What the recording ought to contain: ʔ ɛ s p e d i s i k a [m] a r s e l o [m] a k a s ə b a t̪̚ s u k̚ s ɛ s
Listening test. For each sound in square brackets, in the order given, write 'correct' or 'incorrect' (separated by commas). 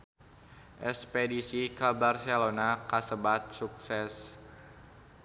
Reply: incorrect, incorrect